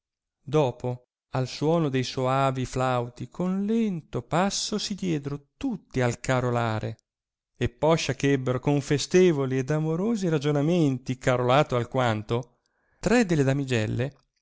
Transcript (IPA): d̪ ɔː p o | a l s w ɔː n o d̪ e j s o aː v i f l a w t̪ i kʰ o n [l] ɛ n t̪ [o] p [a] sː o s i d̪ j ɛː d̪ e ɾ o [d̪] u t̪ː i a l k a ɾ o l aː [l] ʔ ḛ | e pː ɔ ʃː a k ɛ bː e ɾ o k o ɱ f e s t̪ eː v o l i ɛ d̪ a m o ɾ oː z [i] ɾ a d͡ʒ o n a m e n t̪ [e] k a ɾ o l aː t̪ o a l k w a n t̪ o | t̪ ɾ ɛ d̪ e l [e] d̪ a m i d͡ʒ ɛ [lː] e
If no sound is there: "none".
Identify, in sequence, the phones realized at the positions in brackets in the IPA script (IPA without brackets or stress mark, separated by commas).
l, o, a, t̪, ɾ, i, i, e, lː